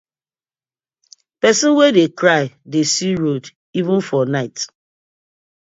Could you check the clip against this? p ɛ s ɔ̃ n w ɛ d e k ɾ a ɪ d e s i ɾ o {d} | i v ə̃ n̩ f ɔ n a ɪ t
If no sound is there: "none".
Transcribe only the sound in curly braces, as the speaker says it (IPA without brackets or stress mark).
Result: d